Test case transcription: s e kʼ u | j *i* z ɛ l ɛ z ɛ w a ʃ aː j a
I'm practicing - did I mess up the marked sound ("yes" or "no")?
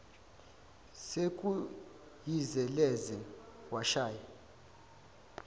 no